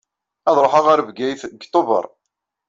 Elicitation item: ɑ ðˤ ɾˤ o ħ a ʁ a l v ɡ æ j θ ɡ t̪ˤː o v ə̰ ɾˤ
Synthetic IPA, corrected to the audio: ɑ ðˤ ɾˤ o ħ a ʁ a ɾ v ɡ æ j θ ɡ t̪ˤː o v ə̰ ɾˤ